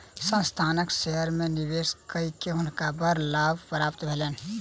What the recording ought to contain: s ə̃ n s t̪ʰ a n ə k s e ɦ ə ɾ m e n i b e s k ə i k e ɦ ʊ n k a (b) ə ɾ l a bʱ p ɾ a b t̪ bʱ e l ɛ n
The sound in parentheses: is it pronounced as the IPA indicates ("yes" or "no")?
yes